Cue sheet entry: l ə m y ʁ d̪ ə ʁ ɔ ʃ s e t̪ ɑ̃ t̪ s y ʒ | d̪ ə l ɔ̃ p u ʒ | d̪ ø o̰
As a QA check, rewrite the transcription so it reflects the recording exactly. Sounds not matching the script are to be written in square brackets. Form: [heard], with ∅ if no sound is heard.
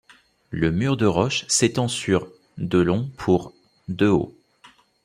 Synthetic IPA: l ə m y ʁ d̪ ə ʁ ɔ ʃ s e t̪ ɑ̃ [∅] s y [ʁ] | d̪ ə l ɔ̃ [pʰ] u [ʁ] | d̪ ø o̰